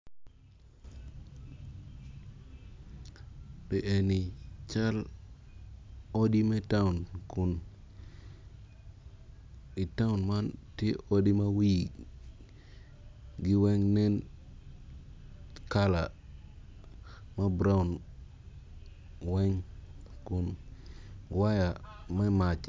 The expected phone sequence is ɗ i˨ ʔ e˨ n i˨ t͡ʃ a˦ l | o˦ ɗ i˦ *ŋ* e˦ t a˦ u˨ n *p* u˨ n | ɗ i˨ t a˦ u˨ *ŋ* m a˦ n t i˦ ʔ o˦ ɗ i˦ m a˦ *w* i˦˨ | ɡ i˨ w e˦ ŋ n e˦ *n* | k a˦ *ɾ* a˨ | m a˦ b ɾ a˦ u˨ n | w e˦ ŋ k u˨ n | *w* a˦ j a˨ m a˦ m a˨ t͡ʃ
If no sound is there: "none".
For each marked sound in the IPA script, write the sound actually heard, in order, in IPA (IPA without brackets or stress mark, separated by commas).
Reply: m, k, n, w, n, l, w